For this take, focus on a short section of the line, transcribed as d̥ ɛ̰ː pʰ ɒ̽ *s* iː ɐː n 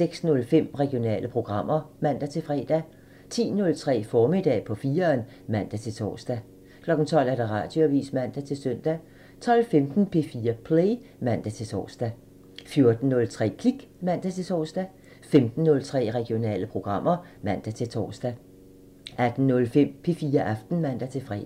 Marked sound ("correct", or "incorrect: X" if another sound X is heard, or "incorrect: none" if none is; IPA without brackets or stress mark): incorrect: f